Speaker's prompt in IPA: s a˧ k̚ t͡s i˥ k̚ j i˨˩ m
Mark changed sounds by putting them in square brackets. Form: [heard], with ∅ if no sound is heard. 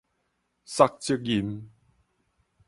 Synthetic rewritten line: s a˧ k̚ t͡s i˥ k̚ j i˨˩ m